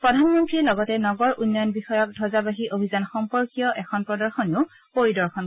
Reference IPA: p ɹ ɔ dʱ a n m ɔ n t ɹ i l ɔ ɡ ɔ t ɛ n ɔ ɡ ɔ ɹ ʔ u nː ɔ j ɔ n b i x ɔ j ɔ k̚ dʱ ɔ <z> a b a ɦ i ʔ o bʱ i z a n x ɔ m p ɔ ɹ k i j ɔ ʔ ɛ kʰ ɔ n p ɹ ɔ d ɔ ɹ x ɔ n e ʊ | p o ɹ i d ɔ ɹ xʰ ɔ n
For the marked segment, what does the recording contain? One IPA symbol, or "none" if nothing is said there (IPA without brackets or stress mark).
z